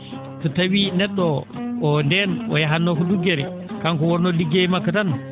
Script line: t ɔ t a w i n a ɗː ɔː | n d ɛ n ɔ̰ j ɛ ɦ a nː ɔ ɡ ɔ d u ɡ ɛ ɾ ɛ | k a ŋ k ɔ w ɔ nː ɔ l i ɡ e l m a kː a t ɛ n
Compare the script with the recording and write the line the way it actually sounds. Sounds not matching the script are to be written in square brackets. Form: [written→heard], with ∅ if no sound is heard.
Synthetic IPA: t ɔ t a w i n [a→ɛ] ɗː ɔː | n d ɛ n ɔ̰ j [ɛ→a] ɦ a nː ɔ [ɡ→k] ɔ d u ɡ ɛ ɾ ɛ | k a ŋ k ɔ w ɔ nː ɔ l i ɡ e [l→∅] m a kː a t [ɛ→a] n